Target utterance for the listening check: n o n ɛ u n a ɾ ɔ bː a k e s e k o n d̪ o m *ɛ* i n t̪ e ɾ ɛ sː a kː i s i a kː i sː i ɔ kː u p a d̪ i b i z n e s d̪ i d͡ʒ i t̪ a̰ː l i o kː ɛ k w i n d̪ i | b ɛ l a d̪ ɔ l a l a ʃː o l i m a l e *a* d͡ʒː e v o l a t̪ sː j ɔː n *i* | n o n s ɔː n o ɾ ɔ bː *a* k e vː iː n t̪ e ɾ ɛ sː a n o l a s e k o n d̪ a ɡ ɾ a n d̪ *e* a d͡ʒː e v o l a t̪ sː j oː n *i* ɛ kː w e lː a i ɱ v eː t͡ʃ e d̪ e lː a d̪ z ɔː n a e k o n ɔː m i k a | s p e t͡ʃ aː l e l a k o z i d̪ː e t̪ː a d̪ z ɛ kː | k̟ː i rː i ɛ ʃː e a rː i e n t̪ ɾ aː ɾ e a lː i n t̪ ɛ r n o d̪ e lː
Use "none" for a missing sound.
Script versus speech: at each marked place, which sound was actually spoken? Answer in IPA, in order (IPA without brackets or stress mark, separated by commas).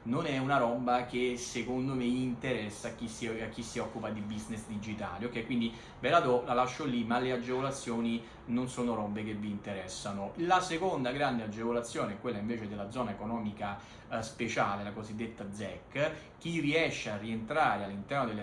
e, a, i, e, e, e